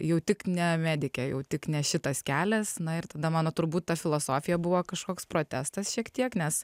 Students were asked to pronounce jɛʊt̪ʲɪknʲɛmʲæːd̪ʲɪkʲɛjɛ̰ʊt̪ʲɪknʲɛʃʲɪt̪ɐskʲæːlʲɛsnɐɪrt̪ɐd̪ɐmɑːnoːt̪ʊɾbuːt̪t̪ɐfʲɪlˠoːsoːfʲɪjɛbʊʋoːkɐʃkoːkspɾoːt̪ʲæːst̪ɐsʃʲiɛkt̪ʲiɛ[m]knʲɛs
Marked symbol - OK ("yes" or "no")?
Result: no